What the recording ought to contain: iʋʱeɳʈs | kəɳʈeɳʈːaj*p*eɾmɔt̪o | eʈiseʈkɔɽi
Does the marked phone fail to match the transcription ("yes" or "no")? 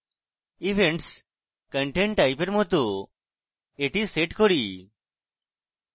no